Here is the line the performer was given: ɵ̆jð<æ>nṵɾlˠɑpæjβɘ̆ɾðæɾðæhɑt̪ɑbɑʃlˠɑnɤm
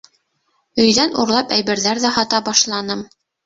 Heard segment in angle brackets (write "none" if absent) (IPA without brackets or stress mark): æ